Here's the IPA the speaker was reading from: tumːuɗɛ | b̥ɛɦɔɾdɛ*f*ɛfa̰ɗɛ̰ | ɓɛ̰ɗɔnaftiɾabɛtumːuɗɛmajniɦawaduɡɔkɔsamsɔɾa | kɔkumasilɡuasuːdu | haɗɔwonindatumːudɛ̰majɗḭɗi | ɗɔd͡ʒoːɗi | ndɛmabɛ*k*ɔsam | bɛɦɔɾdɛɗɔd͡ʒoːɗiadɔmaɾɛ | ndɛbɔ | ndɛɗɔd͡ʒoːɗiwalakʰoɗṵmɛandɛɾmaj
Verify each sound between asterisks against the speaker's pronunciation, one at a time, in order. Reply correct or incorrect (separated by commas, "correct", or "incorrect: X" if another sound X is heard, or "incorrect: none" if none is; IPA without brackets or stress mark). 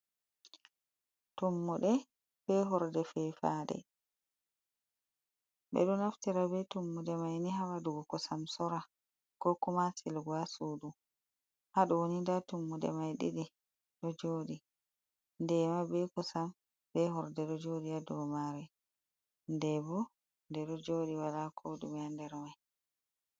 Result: correct, correct